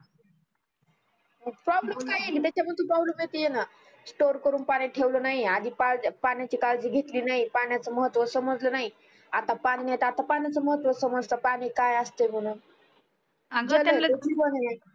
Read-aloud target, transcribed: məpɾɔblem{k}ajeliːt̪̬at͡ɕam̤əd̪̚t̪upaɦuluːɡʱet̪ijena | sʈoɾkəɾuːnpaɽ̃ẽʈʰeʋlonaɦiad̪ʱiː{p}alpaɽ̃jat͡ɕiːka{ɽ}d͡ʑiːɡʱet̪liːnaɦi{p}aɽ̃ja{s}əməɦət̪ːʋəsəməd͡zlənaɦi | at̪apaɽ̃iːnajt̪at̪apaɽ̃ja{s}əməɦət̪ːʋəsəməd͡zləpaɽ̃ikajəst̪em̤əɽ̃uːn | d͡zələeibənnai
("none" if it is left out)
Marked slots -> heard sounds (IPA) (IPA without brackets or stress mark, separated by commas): k, p, l, p, t͡s, t͡s